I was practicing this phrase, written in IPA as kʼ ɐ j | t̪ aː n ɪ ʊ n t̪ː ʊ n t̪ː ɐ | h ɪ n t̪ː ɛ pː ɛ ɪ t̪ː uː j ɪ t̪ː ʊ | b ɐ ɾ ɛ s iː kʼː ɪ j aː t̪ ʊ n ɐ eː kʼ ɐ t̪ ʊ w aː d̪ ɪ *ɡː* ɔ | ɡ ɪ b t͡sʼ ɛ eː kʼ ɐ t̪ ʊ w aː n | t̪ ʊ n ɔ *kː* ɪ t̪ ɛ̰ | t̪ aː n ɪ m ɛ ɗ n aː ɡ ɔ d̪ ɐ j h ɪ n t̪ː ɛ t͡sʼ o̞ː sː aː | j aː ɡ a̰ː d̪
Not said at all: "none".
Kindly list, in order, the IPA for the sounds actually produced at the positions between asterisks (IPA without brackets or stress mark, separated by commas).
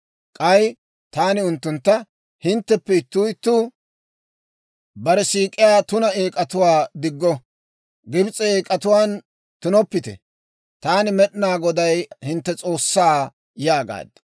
ɡː, pː